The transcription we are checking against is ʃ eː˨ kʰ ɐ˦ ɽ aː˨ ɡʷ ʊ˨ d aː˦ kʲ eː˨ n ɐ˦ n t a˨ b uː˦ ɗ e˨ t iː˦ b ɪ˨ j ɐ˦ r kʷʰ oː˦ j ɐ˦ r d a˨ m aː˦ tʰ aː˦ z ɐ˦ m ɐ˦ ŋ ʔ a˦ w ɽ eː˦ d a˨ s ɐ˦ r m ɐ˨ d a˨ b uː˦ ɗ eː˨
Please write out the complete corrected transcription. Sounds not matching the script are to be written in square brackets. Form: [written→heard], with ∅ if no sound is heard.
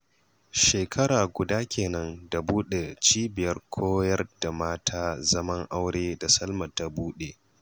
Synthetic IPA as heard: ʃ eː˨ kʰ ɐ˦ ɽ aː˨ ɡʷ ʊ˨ d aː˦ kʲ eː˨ n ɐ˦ n [t→d] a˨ b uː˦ ɗ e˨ [t→t͡ʃ] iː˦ b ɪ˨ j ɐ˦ r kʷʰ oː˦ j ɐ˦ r d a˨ m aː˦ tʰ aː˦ z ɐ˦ m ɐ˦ ŋ ʔ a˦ w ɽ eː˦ d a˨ s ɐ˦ [r→l] m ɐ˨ [d→t] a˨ b uː˦ ɗ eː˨